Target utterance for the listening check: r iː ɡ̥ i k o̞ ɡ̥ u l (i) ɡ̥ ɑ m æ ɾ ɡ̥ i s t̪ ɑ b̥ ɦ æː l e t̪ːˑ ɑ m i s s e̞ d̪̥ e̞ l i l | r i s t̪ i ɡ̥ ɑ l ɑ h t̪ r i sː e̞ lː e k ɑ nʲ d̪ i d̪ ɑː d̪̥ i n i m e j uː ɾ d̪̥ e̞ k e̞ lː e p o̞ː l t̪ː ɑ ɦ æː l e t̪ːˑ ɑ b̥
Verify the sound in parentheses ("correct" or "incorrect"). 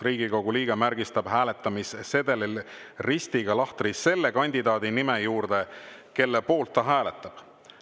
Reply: incorrect